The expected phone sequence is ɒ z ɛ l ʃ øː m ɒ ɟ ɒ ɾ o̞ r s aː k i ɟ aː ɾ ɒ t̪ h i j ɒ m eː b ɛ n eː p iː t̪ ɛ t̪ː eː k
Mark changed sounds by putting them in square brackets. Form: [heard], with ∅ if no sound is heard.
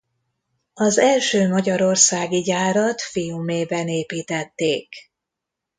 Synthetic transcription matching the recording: ɒ z ɛ l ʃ øː m ɒ ɟ ɒ ɾ o̞ r s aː [ɡ] i ɟ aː ɾ ɒ t̪ [f] i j [u] m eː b ɛ n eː p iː t̪ ɛ t̪ː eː k